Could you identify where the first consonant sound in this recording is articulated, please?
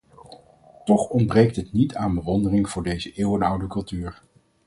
alveolar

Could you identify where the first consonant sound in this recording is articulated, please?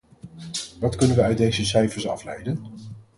labial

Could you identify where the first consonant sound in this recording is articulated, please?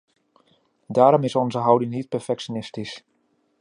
alveolar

